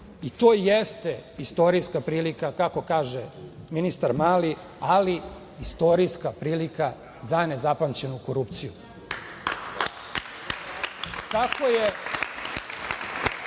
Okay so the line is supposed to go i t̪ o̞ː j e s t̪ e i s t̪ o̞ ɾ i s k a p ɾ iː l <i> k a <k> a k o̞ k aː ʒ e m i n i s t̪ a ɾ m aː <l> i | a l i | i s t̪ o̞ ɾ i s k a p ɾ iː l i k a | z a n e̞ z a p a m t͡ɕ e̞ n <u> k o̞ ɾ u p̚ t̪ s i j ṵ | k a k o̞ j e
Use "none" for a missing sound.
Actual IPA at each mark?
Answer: i, k, l, u

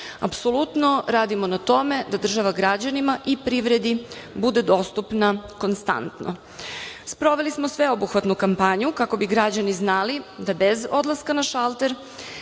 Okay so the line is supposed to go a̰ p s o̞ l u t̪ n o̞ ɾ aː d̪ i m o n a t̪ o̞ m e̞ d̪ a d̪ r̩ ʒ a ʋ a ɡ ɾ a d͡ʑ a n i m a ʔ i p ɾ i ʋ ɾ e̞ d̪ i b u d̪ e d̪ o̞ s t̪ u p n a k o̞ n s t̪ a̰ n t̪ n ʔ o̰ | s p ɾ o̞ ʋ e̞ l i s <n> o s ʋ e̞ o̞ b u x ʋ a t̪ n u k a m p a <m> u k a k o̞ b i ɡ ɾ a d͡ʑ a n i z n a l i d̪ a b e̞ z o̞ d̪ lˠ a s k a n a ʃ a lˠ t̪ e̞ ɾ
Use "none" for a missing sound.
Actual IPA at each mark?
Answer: m, ɲ

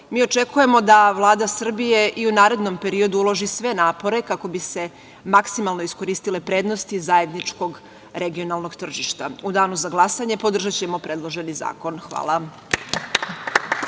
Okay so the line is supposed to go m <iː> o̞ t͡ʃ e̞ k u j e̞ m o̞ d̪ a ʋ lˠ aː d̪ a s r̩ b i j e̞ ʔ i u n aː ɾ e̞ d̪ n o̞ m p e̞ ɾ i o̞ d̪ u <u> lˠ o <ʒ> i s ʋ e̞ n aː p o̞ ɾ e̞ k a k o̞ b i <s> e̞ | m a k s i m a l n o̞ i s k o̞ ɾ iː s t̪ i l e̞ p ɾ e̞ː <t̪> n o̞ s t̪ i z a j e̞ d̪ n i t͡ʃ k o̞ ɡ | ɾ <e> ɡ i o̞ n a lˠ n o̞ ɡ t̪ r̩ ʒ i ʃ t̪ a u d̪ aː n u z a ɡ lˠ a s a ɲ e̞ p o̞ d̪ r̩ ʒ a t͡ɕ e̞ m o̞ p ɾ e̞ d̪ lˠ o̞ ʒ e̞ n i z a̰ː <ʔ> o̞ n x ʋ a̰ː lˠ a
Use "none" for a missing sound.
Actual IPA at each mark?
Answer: iː, u, ʒ, s, d̪, e, k

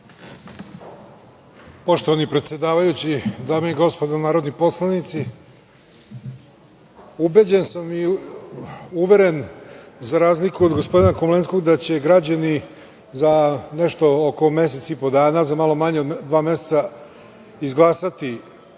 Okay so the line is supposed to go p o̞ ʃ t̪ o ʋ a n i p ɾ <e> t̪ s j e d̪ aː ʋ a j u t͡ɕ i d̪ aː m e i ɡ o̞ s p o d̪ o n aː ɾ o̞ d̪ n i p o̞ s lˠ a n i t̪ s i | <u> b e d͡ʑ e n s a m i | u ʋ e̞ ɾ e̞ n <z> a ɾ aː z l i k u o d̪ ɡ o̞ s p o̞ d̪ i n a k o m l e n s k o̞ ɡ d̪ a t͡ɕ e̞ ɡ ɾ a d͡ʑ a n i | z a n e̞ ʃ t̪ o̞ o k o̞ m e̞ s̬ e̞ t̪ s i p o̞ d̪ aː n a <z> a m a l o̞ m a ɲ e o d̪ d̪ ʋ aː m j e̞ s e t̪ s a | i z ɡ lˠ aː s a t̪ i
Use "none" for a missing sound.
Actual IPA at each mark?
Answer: e, u, z, z

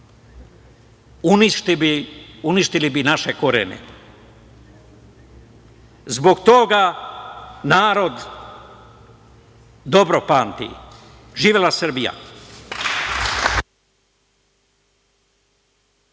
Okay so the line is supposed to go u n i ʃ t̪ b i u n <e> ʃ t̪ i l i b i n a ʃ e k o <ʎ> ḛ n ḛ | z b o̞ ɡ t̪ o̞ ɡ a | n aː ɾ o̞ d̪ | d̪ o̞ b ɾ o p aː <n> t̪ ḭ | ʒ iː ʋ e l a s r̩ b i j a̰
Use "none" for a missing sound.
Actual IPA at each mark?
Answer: i, ɾ, n

